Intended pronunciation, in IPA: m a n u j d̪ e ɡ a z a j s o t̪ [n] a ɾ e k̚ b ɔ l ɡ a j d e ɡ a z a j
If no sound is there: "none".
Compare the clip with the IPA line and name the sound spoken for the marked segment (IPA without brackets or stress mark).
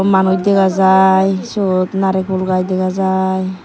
n